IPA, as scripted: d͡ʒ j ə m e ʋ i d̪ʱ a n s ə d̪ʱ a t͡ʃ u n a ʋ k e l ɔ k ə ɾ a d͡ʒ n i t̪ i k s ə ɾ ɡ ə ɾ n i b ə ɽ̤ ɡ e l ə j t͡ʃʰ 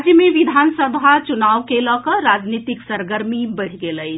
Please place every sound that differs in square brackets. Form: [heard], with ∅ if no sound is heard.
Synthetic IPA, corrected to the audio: d͡ʒ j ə m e ʋ i d̪ʱ a n s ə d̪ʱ a t͡ʃ u n a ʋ k e l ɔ k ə ɾ a d͡ʒ n i t̪ i k s ə ɾ ɡ ə ɾ [m] i b ə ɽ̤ ɡ e l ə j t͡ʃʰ